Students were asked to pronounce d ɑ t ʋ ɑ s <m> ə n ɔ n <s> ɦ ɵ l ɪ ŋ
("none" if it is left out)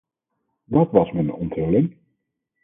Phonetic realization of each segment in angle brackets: m, t

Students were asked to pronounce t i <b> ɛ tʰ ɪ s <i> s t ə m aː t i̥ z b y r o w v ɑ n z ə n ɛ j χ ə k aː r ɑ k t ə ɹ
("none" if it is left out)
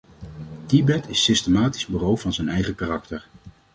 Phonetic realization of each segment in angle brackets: b, ɪ

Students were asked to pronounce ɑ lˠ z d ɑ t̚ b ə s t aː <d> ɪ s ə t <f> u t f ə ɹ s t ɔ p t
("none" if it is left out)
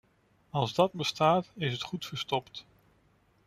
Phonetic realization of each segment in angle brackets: t, χ

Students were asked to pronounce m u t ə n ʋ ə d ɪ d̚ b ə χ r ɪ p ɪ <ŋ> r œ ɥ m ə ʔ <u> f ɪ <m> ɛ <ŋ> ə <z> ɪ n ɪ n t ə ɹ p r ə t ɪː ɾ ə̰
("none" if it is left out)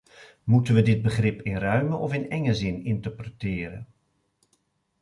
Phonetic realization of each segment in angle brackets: n, ɔ, n, ŋ, z

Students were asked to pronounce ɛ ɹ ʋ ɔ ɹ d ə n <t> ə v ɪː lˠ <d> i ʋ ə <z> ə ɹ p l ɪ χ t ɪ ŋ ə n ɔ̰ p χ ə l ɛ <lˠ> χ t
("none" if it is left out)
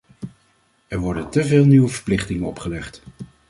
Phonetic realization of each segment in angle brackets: t, n, v, none

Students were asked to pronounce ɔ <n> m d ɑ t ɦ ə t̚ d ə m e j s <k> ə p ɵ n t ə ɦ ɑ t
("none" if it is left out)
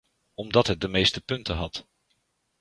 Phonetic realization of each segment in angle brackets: none, t

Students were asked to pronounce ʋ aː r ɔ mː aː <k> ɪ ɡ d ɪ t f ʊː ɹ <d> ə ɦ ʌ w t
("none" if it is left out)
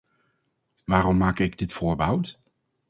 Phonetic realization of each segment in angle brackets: k, b

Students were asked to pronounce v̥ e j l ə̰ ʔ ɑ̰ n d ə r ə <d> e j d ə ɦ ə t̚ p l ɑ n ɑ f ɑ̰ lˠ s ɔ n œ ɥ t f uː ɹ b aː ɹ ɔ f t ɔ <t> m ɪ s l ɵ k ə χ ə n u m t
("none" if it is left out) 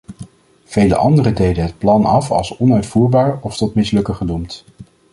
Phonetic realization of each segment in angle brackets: d, t

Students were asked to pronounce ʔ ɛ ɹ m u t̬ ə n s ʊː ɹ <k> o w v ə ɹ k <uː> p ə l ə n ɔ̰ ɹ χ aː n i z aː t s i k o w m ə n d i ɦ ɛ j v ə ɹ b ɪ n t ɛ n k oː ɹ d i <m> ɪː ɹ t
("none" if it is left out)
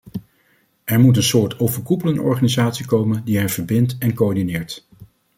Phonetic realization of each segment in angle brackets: t, u, n

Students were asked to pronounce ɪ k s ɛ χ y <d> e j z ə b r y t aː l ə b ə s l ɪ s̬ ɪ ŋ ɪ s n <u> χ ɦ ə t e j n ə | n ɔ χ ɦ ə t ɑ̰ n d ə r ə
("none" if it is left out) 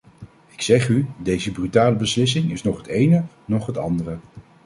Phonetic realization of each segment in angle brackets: d, ɔ

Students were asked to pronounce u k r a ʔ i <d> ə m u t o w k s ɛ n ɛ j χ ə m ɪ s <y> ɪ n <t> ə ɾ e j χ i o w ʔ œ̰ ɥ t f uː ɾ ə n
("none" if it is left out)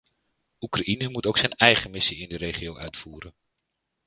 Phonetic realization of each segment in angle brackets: n, i, d

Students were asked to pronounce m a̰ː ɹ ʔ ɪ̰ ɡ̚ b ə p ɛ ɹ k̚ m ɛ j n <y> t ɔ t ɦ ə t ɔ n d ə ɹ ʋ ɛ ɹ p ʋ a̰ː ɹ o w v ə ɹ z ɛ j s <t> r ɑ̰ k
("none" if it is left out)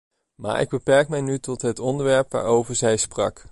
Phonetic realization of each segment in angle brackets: y, p

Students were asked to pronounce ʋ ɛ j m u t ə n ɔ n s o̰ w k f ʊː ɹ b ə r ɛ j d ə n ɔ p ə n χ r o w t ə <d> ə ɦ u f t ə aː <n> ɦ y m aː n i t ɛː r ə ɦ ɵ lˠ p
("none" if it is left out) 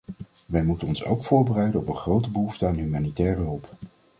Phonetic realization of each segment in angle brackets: b, n

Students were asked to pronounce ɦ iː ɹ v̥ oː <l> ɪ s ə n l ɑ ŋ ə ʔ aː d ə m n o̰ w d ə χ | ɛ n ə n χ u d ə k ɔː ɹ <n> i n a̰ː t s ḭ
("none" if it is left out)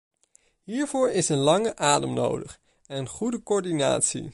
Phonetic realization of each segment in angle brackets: ɹ, d

